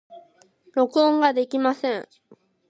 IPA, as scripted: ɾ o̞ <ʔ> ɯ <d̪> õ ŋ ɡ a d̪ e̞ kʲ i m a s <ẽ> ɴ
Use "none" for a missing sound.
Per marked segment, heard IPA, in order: k, none, ẽ

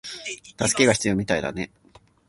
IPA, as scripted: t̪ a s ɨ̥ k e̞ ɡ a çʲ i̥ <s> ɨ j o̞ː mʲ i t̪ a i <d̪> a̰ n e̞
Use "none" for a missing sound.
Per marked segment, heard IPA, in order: t͡s, d̪

